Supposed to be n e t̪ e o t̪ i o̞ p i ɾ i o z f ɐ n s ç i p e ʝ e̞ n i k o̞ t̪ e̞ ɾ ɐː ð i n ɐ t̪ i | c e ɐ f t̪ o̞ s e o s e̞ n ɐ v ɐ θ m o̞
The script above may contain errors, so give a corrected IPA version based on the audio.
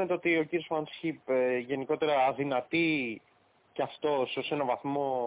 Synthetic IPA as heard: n e t̪ e o t̪ i o̞ c i ɾ i o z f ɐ n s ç i p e ʝ e̞ n i k o̞ t̪ e̞ ɾ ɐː ð i n ɐ t̪ i | c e ɐ f t̪ o̞ s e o s e̞ n ɐ v ɐ θ m o̞